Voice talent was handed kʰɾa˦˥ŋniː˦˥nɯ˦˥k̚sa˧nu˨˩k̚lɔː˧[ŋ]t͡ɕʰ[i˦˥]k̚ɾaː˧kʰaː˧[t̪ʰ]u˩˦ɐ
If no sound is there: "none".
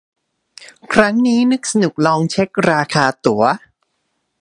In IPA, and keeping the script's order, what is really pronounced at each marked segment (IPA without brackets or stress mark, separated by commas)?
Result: ŋ, e˦˥, t̪